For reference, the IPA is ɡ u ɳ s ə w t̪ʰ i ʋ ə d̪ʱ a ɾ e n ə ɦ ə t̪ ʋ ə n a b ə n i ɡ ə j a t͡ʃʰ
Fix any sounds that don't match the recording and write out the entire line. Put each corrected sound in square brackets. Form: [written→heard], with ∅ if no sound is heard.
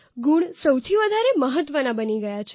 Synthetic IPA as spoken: ɡ u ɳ s ə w t̪ʰ i ʋ ə d̪ʱ a ɾ e [n→m] ə ɦ ə t̪ ʋ ə n a b ə n i ɡ ə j a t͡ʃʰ